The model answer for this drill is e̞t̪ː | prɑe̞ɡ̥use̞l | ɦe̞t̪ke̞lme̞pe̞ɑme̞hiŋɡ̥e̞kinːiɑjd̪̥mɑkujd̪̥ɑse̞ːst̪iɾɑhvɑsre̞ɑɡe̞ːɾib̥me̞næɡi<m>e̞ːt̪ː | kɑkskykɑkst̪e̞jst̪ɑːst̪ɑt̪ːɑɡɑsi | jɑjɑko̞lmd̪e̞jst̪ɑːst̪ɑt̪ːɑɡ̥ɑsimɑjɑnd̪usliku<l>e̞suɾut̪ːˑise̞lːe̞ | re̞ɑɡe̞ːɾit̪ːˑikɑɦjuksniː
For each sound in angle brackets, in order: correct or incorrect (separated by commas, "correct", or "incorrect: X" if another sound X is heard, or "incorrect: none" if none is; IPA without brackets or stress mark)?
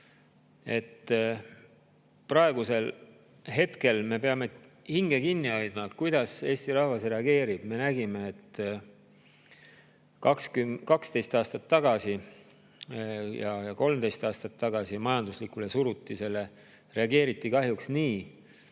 correct, correct